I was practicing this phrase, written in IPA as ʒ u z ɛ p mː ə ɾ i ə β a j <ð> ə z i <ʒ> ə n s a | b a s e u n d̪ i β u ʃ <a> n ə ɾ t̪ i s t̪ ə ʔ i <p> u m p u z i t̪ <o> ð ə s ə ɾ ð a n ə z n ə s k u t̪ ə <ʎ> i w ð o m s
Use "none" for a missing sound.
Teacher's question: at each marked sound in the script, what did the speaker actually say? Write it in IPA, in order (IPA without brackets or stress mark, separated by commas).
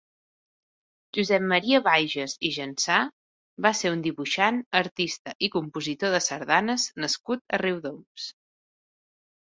ʒ, ʒ, a, k, o, r